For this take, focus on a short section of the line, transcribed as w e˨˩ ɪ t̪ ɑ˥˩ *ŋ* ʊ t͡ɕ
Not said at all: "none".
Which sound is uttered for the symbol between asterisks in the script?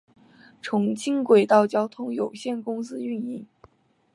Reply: none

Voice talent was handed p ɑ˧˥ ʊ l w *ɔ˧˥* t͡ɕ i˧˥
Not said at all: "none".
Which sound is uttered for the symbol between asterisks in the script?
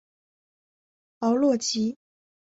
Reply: ɔ˥˩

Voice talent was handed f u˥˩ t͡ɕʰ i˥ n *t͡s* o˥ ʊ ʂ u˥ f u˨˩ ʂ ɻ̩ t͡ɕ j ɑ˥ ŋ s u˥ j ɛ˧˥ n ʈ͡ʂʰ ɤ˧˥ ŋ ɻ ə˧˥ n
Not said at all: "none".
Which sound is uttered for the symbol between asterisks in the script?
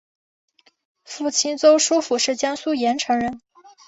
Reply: t͡s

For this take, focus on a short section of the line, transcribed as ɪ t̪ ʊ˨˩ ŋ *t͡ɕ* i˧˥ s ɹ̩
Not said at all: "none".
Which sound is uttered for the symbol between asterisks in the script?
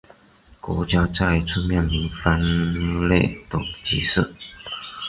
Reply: t͡ɕ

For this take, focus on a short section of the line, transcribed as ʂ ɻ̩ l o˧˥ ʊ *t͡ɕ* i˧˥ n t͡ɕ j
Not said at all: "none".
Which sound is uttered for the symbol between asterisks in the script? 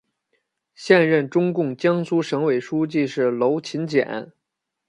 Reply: t͡ɕʰ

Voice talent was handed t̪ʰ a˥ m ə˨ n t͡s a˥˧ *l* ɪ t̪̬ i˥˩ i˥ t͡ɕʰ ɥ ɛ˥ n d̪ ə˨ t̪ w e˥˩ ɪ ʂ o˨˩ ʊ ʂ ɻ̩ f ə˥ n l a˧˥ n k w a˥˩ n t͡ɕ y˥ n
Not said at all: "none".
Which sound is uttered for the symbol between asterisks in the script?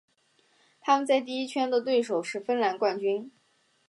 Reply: none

